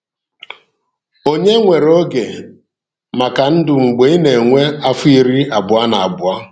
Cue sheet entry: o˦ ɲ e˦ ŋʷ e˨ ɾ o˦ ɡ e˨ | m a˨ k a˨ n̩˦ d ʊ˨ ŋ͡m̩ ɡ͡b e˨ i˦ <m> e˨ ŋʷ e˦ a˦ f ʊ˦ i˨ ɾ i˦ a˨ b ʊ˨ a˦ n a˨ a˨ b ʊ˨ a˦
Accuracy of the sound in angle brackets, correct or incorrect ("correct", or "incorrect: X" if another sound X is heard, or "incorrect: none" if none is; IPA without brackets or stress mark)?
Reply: incorrect: n